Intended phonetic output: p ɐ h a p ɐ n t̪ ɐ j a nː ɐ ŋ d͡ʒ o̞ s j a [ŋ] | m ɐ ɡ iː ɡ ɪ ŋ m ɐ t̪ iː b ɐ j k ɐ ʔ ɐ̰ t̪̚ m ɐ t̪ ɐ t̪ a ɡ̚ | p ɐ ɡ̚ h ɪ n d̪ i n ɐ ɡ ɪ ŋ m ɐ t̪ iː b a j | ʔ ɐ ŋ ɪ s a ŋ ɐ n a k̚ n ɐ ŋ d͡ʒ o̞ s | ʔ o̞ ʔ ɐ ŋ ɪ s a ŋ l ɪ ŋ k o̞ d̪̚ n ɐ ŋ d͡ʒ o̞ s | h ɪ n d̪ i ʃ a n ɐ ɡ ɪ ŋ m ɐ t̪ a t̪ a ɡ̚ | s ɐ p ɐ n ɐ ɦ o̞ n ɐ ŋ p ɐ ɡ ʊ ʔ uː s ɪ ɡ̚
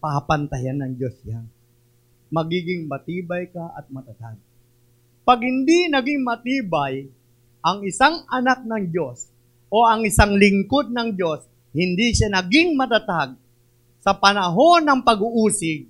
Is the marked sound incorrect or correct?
incorrect